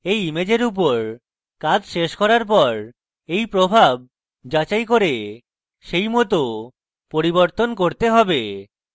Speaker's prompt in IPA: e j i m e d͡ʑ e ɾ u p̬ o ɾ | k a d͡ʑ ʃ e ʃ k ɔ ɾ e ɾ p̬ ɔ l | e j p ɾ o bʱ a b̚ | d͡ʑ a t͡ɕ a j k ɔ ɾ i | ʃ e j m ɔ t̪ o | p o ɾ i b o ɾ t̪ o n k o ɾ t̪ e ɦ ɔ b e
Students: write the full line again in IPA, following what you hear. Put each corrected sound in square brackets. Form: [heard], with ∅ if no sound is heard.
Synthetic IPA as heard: e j i m e d͡ʑ e ɾ u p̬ o ɾ | k a d͡ʑ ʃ e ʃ k ɔ ɾ [a] ɾ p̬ ɔ [ɾ] | e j p ɾ o bʱ a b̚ | d͡ʑ a t͡ɕ a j k [o] ɾ [e] | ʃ e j m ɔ t̪ o | p o ɾ i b o ɾ t̪ o n k o ɾ t̪ e ɦ ɔ b e